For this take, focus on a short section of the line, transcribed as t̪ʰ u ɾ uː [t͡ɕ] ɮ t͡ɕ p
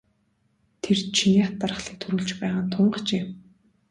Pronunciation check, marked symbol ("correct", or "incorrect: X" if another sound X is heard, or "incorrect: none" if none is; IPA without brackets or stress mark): incorrect: none